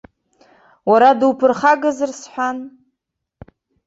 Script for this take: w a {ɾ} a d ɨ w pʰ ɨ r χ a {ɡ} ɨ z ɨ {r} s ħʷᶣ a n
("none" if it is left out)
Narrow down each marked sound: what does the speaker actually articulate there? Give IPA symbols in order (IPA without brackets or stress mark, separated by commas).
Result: ɾ, ɡ, r